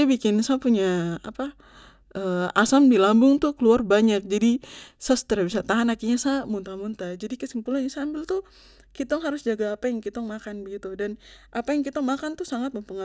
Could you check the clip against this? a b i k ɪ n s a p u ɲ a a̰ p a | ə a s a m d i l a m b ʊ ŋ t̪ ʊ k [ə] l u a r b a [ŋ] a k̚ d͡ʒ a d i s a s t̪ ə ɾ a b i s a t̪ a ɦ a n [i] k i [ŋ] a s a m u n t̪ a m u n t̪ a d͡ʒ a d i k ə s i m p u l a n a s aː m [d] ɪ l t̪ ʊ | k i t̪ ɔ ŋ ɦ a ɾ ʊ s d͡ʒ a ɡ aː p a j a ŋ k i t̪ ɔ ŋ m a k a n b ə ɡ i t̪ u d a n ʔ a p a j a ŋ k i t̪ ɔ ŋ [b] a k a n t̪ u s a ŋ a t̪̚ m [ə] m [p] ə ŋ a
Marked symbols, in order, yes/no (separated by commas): yes, no, no, no, no, no, yes, yes